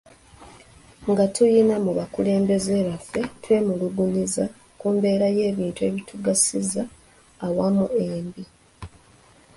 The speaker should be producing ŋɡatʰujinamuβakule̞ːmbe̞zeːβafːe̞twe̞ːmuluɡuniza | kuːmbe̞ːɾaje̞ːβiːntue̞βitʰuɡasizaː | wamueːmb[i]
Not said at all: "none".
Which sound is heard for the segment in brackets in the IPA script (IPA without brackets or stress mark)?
i